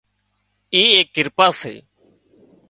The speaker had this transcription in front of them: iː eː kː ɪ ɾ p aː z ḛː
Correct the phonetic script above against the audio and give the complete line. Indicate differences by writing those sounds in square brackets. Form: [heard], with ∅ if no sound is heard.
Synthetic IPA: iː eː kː ɪ ɾ p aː [s] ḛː